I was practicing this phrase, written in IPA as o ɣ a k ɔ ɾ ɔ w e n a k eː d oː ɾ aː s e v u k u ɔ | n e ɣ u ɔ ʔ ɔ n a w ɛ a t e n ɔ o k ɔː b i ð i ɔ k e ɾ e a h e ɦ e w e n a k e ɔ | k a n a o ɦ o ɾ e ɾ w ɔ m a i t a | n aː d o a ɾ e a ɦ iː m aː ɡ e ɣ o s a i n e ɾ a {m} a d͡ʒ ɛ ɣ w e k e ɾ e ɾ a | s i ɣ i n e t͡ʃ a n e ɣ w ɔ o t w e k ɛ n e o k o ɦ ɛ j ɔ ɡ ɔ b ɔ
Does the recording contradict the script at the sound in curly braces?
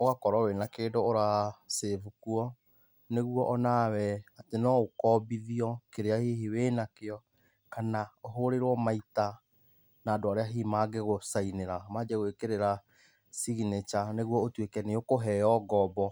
no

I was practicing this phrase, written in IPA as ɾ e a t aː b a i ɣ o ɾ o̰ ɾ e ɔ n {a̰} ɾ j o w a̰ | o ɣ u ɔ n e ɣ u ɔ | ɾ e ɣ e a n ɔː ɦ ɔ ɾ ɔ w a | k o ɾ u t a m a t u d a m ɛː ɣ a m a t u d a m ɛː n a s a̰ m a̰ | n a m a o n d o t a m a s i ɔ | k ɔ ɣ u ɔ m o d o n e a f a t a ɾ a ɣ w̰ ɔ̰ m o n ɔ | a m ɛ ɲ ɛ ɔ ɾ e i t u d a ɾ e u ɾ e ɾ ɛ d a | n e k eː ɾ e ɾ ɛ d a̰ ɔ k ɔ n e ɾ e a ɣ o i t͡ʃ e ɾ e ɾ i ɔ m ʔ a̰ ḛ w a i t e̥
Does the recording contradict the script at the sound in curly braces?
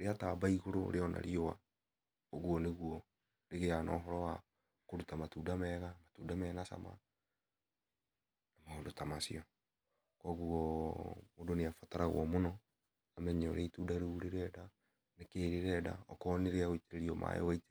no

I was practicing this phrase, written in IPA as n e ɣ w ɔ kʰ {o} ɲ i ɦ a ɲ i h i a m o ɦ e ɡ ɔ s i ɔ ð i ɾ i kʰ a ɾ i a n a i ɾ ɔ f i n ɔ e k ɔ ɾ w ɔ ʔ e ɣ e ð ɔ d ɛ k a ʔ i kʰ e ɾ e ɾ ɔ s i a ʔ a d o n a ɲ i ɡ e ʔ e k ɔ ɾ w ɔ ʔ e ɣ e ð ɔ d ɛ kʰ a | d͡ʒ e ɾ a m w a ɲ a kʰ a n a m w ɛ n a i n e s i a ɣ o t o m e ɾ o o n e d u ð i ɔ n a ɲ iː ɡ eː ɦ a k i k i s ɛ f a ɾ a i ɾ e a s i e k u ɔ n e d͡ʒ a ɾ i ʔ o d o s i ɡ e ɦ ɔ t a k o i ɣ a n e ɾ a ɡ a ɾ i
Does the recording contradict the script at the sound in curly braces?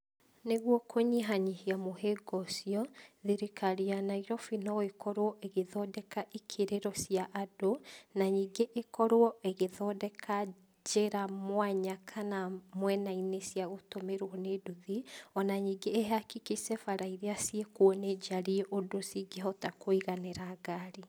no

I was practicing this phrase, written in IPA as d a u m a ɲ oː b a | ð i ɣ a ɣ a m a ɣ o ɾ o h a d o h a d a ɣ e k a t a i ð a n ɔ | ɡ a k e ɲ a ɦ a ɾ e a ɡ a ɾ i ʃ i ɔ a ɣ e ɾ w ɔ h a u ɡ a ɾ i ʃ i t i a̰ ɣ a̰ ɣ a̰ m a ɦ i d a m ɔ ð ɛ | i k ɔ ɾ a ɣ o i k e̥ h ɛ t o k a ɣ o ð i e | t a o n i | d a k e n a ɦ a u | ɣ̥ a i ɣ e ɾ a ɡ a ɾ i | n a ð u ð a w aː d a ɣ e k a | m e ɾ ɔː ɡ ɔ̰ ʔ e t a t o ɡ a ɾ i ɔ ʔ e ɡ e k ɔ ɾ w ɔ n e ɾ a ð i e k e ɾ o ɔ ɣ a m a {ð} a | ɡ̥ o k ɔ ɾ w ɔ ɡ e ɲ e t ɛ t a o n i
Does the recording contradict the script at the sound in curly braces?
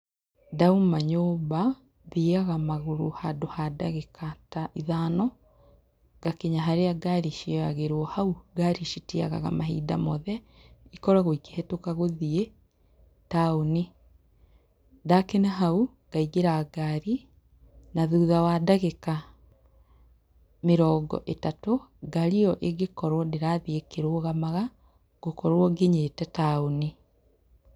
yes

